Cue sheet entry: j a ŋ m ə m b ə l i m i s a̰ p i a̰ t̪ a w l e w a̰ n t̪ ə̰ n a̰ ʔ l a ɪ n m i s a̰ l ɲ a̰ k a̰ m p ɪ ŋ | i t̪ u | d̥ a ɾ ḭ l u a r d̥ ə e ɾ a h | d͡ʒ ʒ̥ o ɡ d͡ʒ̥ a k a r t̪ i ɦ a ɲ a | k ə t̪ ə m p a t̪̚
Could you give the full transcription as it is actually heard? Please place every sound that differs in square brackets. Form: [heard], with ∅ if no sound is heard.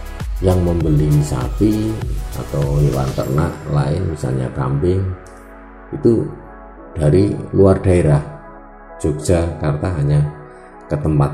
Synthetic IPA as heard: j a ŋ m ə m b ə l i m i s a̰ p i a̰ t̪ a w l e w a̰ n t̪ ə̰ n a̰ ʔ l a ɪ n m i s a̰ l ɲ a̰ k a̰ m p ɪ ŋ | i t̪ u | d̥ a ɾ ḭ l u a r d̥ [a] e ɾ a h | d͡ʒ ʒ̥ o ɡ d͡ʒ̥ a k a r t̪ [a] ɦ a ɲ a | k ə t̪ ə m p a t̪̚